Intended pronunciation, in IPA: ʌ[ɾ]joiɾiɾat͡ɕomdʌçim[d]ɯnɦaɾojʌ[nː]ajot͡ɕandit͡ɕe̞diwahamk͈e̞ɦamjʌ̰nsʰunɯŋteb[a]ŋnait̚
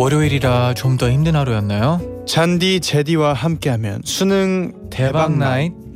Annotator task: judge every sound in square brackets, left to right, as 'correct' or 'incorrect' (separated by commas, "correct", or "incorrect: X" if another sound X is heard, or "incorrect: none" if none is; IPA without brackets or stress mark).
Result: correct, correct, correct, correct